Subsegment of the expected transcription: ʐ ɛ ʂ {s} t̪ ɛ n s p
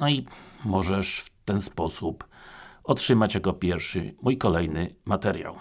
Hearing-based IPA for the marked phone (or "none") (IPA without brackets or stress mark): f